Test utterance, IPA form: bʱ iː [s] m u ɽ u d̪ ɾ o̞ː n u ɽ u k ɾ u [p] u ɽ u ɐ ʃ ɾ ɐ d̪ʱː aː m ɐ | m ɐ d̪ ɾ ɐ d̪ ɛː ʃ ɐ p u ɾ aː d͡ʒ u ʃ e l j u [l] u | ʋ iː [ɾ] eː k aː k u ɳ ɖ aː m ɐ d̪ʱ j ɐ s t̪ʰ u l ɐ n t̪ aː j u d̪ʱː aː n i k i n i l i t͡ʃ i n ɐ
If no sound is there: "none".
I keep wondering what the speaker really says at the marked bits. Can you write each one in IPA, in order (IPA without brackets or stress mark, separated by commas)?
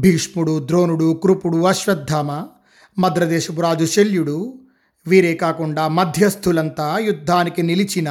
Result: ʂ, p, ɽ, ɾ